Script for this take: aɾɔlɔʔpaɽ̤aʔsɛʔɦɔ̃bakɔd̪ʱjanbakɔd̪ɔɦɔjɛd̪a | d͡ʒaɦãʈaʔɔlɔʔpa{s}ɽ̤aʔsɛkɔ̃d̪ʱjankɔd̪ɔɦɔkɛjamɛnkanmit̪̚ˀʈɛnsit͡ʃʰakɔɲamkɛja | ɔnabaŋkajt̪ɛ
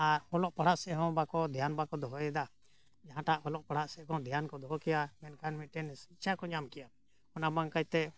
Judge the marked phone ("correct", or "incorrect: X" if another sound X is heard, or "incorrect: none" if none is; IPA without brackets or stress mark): incorrect: none